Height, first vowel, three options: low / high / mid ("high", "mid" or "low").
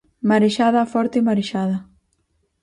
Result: low